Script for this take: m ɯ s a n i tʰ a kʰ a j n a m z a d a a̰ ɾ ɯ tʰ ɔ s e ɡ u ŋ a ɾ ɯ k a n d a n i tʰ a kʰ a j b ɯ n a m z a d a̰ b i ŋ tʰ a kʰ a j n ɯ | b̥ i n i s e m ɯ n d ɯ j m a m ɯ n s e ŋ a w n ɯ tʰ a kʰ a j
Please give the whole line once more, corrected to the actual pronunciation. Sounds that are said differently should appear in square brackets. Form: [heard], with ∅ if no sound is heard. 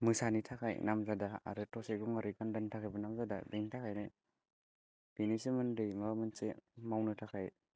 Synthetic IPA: m ɯ s a n i tʰ a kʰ a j n a m z a d a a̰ ɾ ɯ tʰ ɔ s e ɡ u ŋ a ɾ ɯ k a n d a n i tʰ a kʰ a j b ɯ n a m z a d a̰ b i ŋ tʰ a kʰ a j n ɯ | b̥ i n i s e m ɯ n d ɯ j m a m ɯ n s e [m] a w n ɯ tʰ a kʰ a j

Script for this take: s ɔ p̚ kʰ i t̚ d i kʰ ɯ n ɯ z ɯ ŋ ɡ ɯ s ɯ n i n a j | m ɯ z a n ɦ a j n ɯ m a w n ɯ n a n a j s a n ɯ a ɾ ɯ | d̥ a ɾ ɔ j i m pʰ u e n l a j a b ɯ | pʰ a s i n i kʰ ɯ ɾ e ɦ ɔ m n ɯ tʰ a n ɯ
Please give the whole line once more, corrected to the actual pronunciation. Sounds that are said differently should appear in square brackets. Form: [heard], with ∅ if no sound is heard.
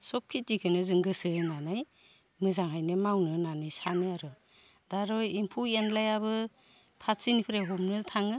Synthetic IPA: s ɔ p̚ kʰ i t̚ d i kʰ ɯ n ɯ z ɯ ŋ ɡ ɯ s ɯ n [a] n a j | m ɯ z a [ŋ] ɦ a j n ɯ m a w n ɯ n a n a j s a n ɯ a ɾ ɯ | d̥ a ɾ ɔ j i m pʰ u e n l a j a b ɯ | pʰ a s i n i [pʰ] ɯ ɾ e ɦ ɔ m n ɯ tʰ a [ŋ] ɯ

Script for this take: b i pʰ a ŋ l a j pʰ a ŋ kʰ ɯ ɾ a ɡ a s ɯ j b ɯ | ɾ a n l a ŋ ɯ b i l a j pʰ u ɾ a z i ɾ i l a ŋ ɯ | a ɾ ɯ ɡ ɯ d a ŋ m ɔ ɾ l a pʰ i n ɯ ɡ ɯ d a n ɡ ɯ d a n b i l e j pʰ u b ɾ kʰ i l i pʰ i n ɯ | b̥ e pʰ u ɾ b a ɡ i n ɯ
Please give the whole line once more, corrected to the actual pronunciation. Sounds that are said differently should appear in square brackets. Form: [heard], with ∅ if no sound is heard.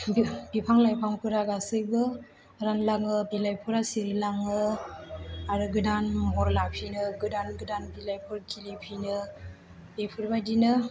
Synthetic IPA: b i pʰ a ŋ l a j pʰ a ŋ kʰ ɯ ɾ a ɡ a s ɯ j b ɯ | ɾ a n l a ŋ ɯ b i l a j pʰ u ɾ a [s] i ɾ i l a ŋ ɯ | a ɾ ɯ ɡ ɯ d a [n] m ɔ ɾ l a pʰ i n ɯ ɡ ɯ d a n ɡ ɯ d a n b i l [a] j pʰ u [∅] ɾ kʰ i l i pʰ i n ɯ | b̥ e pʰ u ɾ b a [d] i n ɯ

